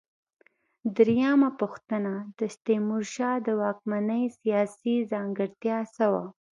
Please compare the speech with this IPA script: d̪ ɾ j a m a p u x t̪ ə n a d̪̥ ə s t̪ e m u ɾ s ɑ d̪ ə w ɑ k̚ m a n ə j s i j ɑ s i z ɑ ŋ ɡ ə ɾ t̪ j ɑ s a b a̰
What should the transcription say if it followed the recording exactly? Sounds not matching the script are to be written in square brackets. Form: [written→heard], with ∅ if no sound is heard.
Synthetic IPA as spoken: d̪ ɾ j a m a p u x t̪ ə n a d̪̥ ə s t̪ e m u ɾ [s→ʃ] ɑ d̪ ə w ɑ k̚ m a n ə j s i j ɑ s i z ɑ ŋ ɡ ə ɾ t̪ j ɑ s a [b→w] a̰